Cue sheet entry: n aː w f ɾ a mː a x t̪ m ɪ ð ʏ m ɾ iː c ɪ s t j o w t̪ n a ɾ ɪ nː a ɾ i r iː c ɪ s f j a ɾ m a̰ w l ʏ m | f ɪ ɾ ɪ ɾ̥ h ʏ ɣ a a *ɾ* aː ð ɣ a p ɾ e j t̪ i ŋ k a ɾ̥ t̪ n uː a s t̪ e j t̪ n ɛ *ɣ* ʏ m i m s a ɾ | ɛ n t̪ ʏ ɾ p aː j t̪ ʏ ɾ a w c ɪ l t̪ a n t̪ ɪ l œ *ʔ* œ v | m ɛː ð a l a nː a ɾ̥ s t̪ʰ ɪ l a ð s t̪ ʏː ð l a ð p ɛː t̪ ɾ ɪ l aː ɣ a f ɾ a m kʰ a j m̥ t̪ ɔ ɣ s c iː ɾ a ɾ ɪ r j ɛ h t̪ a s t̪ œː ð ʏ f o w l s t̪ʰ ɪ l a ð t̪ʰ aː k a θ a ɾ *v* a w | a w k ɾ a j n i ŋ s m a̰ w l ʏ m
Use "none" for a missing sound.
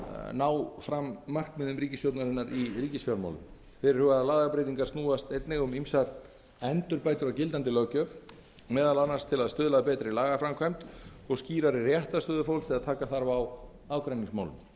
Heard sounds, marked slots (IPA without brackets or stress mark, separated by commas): l, ɣ, c, v